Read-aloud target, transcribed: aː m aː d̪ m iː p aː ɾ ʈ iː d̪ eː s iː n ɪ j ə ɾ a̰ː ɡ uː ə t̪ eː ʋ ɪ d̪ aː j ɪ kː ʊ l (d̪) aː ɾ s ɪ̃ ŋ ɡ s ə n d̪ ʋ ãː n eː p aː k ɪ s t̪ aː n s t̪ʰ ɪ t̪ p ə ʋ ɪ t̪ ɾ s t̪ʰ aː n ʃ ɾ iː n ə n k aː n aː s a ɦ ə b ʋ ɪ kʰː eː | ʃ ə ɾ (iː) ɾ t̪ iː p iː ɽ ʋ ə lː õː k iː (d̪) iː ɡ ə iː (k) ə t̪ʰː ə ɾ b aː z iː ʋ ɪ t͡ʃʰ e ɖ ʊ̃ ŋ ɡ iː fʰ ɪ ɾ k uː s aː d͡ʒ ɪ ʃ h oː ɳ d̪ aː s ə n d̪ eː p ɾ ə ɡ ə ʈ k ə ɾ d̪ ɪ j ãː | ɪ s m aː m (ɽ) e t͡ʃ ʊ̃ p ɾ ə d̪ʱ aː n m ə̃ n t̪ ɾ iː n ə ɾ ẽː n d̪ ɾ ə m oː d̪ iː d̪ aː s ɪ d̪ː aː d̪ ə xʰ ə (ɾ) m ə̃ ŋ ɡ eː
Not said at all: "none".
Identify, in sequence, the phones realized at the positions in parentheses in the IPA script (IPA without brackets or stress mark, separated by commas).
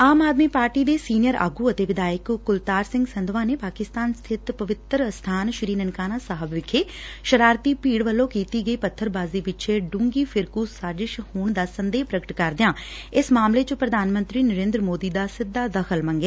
t̪, aː, t̪, p, l, l